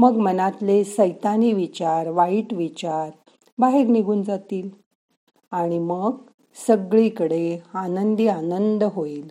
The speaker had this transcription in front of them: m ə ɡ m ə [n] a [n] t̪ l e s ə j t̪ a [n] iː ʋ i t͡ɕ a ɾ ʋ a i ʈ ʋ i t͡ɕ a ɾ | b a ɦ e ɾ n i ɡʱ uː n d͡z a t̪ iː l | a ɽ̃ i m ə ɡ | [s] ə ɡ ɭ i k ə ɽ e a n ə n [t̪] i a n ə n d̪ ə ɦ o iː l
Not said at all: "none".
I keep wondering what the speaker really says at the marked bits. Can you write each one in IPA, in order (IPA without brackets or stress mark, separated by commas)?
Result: n, none, n, s, d̪